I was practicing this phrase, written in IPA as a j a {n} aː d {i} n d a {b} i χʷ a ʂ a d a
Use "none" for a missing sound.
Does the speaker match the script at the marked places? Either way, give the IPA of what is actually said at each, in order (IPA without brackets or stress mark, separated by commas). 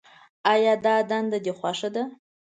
d, a, d